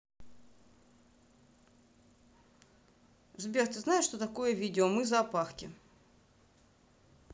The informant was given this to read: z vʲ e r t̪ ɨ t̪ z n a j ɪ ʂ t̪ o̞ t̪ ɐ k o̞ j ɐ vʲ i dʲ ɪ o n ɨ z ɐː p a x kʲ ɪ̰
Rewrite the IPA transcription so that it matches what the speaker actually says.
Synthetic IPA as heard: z bʲ e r t̪ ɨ z n a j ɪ ʂ t̪ o̞ t̪ ɐ k o̞ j ə vʲ i dʲ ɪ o m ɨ z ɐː p a x kʲ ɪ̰